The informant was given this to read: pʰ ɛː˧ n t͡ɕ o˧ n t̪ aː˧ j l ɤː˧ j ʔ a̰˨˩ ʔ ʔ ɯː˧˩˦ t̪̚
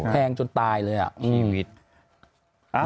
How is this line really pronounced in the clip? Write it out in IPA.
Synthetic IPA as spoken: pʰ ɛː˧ ŋ t͡ɕ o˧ n t̪ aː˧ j l ɤː˧ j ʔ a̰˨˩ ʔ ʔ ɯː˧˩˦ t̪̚